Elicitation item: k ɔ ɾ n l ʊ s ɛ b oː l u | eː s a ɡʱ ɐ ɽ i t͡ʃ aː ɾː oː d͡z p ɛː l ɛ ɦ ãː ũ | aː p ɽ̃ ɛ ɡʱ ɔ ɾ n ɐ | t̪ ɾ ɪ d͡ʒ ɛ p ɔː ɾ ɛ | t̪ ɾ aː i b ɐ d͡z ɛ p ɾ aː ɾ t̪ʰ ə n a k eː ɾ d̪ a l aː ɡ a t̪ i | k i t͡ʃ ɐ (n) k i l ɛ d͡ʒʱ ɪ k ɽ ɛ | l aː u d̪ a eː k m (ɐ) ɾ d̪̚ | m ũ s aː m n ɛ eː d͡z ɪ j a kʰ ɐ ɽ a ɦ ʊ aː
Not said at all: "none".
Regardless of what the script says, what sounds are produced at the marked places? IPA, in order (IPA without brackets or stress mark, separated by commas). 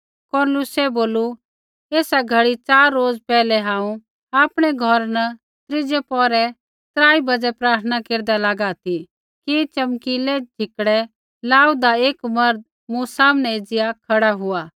m, ɐ